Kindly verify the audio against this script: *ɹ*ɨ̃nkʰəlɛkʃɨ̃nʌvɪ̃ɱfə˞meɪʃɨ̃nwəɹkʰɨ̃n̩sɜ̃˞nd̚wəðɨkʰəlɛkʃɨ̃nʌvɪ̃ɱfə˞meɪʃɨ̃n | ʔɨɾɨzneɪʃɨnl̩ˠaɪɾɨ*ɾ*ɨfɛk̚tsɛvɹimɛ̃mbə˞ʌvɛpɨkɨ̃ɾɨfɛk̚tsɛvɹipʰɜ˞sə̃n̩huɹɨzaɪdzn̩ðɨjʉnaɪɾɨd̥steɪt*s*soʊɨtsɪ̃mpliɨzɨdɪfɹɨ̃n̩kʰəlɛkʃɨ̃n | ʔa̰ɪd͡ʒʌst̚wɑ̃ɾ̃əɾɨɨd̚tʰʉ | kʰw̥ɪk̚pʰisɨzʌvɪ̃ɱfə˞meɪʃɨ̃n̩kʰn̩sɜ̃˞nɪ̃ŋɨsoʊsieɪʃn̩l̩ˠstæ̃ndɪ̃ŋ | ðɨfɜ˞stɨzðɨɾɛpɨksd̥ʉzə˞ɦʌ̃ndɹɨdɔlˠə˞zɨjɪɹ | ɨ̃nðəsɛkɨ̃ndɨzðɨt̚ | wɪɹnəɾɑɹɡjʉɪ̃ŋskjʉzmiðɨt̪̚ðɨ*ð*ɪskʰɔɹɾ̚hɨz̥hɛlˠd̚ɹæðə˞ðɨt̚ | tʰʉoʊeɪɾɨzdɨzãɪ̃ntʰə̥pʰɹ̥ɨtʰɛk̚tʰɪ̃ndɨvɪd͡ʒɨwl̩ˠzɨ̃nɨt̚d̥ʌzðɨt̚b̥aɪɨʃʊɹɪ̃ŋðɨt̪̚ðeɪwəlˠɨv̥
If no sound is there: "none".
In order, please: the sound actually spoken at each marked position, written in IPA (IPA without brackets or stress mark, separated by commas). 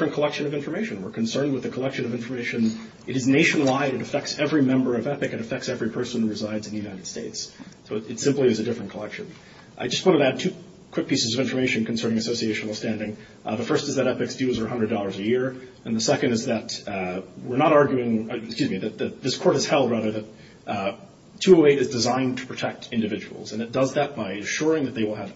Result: ɹ, ɾ, s, ð